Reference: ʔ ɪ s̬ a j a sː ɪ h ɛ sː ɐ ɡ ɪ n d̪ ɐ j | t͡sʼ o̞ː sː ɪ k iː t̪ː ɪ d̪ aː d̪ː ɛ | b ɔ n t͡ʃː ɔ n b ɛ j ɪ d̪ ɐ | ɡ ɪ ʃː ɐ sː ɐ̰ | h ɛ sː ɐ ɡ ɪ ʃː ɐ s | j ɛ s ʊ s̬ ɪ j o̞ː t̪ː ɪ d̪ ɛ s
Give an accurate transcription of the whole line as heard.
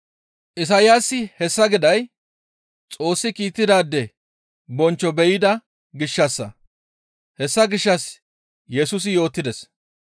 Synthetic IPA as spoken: ʔ ɪ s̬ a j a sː ɪ h ɛ sː ɐ ɡ ɪ d̪ ɐ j | t͡sʼ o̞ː sː ɪ k iː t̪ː ɪ d̪ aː d̪ː ɛ | b ɔ n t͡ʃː ɔ b ɛ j ɪ d̪ ɐ | ɡ ɪ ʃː ɐ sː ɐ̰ | h ɛ sː ɐ ɡ ɪ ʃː ɐ s | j ɛ s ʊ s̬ ɪ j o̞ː t̪ː ɪ d̪ ɛ s